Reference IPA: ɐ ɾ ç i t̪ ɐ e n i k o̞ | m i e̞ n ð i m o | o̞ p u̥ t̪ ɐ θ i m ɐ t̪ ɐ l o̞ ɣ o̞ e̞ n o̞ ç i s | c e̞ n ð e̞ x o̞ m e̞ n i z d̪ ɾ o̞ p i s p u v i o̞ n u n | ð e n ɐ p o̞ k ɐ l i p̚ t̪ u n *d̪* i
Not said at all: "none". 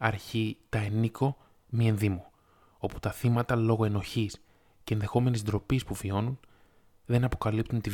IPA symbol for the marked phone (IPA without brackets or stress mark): t̪